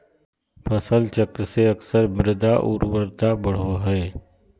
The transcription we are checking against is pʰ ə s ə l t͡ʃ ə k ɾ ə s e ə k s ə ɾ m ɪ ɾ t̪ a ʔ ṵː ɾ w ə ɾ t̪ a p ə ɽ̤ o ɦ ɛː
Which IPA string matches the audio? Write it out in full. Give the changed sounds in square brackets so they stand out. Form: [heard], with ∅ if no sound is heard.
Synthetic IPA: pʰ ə s ə l t͡ʃ ə k ɾ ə s e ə k s ə ɾ m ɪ ɾ [d̪] a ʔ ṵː ɾ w ə ɾ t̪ a [b] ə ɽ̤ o ɦ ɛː